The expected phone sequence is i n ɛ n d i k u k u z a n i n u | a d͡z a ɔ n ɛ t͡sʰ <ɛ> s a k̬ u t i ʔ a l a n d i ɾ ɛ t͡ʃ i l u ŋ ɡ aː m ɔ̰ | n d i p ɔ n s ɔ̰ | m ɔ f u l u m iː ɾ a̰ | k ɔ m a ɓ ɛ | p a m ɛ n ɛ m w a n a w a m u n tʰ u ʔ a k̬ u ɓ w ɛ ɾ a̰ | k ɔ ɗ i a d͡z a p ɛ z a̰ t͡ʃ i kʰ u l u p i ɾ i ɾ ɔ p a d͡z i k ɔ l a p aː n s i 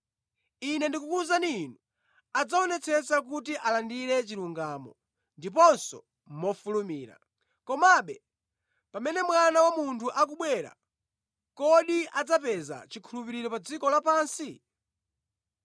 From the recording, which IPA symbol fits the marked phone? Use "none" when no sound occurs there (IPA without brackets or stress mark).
ɛ